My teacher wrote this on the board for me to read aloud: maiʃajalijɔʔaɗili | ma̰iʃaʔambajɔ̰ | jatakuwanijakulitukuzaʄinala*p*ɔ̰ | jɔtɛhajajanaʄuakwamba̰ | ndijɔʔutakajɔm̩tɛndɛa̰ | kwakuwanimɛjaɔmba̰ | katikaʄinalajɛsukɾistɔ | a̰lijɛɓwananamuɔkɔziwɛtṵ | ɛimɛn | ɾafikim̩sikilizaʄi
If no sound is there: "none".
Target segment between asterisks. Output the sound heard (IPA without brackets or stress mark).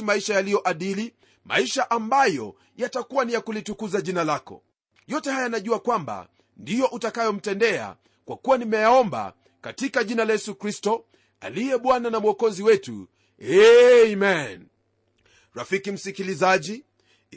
k